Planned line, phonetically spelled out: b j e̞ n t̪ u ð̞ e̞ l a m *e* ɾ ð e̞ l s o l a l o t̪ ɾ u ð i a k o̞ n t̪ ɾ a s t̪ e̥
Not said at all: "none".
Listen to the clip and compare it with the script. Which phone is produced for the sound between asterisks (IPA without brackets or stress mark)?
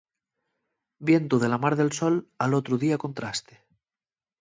a